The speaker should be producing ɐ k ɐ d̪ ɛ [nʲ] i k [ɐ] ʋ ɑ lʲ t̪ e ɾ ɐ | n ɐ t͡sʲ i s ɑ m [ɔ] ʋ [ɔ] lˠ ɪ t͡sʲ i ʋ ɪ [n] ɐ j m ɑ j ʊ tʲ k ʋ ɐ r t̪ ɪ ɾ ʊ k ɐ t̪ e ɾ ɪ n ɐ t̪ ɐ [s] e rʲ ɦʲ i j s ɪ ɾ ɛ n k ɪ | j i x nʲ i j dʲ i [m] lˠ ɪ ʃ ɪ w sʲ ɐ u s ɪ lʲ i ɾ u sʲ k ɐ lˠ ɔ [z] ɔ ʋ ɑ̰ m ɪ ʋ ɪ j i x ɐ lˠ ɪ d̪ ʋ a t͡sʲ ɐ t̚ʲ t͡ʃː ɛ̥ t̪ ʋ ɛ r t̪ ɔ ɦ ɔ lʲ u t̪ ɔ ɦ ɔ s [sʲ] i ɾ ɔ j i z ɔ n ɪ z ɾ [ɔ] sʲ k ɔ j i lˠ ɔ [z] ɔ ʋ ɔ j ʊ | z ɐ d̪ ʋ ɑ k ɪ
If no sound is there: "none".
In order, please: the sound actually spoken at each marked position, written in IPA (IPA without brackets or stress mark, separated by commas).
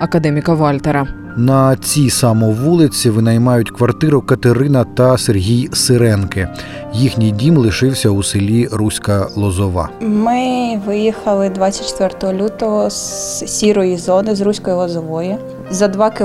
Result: mʲ, ɐ, ɔ, u, n, s, m, z, sʲ, u, z